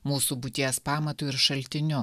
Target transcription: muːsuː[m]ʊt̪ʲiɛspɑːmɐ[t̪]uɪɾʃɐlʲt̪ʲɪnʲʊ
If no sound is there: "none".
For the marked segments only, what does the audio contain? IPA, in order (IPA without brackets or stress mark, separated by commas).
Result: b, t̪